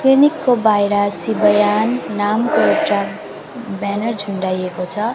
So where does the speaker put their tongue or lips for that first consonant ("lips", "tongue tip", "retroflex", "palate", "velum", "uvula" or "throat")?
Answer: velum